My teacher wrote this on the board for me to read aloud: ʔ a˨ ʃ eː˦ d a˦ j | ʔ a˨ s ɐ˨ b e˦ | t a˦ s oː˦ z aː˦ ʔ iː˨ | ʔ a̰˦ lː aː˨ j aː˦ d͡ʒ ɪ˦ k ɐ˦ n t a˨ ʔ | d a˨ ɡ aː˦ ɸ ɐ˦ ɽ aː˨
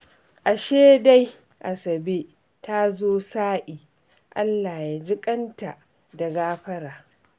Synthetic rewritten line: ʔ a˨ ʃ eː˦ d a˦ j | ʔ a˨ s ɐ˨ b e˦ | t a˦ z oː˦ s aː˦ ʔ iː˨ | ʔ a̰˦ lː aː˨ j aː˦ d͡ʒ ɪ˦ kʼ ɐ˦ n t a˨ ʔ | d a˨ ɡ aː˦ ɸ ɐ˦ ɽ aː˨